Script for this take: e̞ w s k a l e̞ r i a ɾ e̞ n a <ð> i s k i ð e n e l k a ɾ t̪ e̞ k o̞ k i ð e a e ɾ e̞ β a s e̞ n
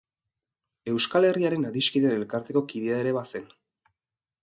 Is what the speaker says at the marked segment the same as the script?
yes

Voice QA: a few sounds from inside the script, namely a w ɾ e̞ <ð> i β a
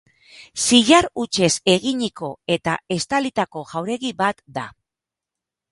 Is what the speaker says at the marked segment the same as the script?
no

